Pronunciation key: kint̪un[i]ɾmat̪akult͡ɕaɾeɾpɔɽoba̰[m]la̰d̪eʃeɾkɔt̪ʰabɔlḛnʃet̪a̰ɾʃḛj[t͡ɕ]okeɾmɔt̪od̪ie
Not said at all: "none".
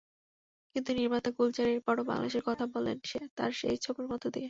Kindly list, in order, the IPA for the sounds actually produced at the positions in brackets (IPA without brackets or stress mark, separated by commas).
i, ŋ, t͡ɕʰ